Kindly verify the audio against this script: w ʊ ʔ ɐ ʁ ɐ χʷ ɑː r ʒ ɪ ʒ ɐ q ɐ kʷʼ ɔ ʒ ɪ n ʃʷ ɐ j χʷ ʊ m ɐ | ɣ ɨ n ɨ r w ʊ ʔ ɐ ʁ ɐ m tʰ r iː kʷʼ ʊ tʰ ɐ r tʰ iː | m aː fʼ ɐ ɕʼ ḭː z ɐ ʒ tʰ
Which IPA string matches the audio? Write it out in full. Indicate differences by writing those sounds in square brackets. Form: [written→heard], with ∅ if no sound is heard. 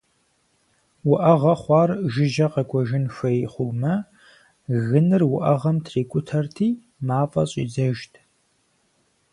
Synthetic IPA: w ʊ ʔ ɐ ʁ ɐ χʷ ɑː r ʒ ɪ ʒ ɐ q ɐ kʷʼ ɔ ʒ ɪ n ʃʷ ɐ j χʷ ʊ m ɐ | ɣ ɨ n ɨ r w ʊ ʔ ɐ ʁ ɐ m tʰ r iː kʷʼ ʊ tʰ ɐ r tʰ iː | m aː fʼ ɐ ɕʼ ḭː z ɐ ʒ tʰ